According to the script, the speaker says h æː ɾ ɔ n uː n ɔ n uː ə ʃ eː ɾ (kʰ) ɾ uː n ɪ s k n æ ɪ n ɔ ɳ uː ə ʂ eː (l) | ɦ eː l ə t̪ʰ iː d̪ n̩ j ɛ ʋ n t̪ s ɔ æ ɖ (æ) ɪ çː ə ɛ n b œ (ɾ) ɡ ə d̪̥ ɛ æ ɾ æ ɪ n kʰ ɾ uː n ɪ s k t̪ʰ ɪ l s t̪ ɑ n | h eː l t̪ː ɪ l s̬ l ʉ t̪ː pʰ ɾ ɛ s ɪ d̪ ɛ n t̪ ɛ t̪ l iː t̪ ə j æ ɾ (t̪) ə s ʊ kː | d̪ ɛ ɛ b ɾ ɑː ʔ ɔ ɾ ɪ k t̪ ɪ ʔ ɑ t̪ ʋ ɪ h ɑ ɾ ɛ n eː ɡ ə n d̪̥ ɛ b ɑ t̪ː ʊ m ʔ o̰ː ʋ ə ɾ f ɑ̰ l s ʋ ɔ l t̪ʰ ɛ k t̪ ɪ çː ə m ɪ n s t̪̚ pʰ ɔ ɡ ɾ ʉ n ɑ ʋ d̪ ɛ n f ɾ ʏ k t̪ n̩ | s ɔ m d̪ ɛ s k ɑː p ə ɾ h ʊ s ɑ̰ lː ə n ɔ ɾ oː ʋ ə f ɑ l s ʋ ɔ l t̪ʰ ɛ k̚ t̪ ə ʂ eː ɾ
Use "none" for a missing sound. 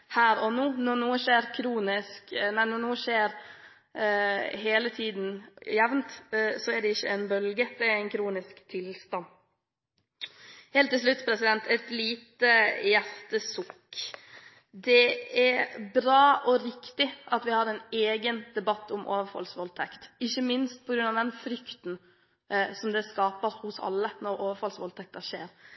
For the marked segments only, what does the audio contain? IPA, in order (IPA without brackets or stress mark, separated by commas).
kʰ, ɾ, ɛ, l, t̪